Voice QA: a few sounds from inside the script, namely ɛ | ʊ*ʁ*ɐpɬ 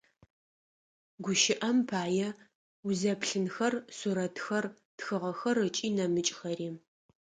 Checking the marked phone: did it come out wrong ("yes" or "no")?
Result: yes